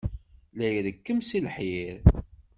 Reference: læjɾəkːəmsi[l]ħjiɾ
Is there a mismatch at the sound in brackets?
no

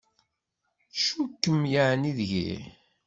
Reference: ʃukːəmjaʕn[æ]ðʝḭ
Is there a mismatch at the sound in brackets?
yes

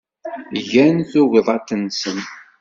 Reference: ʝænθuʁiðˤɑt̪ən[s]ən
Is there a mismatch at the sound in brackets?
no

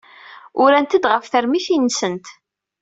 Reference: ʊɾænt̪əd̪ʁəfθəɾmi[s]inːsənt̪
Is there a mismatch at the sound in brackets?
yes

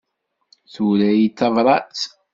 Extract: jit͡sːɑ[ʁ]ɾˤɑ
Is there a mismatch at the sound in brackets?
yes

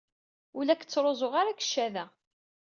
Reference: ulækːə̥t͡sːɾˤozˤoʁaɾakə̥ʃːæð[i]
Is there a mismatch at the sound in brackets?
yes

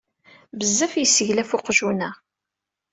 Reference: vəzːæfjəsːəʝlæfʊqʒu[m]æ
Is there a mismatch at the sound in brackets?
yes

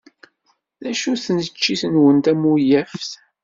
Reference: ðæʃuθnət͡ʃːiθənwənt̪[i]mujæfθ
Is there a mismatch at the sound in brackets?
yes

